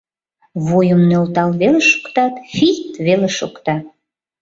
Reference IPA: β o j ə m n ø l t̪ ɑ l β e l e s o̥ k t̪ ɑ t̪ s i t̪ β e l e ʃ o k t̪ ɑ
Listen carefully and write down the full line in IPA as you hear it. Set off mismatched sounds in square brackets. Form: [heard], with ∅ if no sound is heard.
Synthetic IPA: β o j ə m n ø l t̪ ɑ l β e l e [ʃ] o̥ k t̪ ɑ t̪ [f] i t̪ β e l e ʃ o k t̪ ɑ